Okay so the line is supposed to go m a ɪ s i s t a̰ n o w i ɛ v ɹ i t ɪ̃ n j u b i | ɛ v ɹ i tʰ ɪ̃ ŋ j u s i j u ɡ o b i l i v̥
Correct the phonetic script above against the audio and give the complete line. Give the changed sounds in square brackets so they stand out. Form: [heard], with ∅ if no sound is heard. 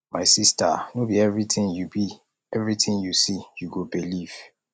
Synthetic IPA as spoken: m a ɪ s i s t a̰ n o [b] i ɛ v ɹ i t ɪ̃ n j u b i | ɛ v ɹ i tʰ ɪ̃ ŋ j u s i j u ɡ o b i l i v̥